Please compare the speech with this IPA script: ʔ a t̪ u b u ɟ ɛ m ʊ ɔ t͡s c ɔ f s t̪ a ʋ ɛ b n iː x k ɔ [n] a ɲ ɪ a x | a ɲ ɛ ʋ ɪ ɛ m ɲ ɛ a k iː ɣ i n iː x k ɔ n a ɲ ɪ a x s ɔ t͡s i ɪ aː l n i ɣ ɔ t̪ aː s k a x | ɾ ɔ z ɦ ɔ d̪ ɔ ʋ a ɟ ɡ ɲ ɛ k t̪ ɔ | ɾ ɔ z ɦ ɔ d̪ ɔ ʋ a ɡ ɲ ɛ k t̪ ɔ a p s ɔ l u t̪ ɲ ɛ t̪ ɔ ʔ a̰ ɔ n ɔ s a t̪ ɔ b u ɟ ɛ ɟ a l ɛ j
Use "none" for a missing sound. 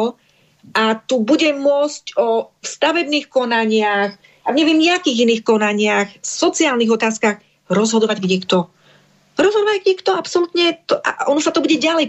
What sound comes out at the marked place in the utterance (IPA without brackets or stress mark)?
n